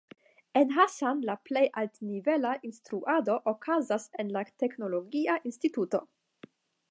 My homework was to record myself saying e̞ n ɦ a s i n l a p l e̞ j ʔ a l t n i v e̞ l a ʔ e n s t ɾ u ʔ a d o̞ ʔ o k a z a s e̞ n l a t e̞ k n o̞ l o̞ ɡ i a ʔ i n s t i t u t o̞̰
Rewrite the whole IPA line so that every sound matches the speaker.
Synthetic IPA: e̞ n ɦ a s a n l a p l e̞ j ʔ a l t n i v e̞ l a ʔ i n s t ɾ u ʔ a d o̞ ʔ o k a z a s e̞ n l a t e̞ k n o̞ l o̞ ɡ i a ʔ i n s t i t u t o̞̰